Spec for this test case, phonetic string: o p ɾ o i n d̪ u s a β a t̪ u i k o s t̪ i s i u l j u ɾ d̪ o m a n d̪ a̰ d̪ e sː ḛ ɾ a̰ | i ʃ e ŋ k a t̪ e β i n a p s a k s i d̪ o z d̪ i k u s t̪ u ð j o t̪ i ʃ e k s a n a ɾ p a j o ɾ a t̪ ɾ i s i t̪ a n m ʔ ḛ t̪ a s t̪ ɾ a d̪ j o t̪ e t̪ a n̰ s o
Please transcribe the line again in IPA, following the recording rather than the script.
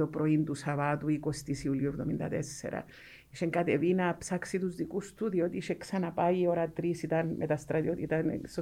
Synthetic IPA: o p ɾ o i n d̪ u s a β a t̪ u i k o s t̪ i s i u l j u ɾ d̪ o m i n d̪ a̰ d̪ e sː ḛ ɾ a̰ | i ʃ e ŋ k a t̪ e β i n a p s a k s i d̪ u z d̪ i k u s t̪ u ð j o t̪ i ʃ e k s a n a p a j o ɾ a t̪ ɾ i s i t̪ a n m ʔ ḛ t̪ a s t̪ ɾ a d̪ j o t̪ i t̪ a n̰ s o